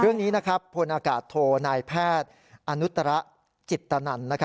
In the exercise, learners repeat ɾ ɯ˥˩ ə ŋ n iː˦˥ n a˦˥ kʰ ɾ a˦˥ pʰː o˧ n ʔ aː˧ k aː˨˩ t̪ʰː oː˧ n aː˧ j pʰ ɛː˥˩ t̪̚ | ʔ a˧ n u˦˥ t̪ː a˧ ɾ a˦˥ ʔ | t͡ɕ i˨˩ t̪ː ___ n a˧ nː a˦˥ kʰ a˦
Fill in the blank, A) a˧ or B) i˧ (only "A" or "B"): A